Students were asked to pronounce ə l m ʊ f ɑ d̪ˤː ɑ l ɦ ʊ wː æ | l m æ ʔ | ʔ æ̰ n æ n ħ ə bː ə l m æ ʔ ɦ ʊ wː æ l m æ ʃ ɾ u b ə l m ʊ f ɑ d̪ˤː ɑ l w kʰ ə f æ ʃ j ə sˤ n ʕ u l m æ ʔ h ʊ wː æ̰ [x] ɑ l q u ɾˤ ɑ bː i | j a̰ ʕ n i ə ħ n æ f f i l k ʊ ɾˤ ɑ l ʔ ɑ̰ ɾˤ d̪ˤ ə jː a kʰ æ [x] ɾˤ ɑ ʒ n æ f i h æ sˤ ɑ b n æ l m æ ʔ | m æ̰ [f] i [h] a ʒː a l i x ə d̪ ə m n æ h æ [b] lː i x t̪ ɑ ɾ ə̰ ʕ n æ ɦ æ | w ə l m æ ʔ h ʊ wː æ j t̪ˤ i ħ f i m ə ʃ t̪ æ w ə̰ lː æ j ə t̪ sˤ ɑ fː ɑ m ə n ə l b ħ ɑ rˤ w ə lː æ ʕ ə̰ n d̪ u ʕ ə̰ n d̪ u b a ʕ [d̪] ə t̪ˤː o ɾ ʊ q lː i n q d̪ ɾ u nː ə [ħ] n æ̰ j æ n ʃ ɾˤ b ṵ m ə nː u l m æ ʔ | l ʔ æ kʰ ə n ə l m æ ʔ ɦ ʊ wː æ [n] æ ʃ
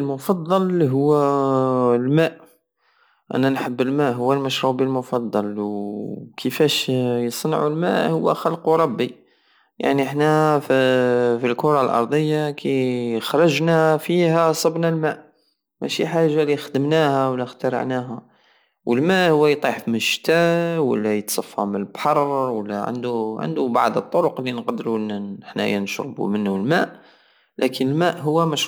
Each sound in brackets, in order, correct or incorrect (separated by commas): correct, correct, incorrect, incorrect, incorrect, correct, correct, incorrect